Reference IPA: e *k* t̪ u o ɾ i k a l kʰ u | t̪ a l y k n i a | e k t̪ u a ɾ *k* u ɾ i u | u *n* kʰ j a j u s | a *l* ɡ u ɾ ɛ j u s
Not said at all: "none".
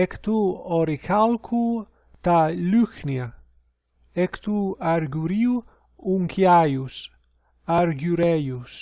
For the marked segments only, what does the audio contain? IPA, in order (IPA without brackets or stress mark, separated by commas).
k, ɡ, ŋ, ɾ